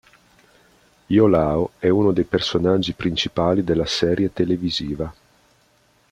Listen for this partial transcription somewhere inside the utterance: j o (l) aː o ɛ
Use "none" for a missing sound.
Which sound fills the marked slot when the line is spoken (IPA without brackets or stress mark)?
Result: l